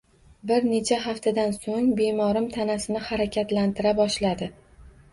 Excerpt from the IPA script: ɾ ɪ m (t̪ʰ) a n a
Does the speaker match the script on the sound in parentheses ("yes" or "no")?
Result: yes